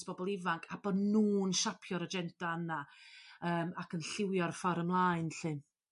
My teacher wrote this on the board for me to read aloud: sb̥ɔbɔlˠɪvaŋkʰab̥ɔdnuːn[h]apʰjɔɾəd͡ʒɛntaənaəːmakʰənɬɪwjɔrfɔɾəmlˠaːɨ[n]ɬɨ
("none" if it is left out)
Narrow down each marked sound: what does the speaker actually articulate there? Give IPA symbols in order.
ʃ, n

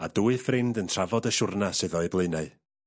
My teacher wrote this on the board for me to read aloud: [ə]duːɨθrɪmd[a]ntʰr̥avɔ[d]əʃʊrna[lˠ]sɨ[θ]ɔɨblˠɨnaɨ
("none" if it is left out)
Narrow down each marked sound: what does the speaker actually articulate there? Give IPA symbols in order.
a, ə, d, none, ð

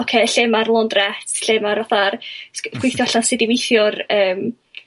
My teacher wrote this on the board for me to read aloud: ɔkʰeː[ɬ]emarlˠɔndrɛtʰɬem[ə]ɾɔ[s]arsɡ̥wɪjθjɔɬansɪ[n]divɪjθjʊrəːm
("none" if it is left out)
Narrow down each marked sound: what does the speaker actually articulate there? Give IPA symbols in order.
ɬ, a, θ, none

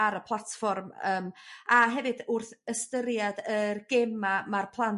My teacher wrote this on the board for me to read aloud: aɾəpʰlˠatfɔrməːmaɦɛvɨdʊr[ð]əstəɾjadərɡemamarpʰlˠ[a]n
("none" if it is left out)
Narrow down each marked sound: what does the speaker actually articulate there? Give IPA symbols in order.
θ, a

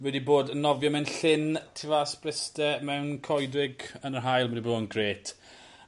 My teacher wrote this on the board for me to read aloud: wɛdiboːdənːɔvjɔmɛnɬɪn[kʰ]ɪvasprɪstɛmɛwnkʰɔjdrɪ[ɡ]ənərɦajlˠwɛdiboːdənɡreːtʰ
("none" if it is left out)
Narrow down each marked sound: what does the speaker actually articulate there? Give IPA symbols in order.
tʰ, ɡ

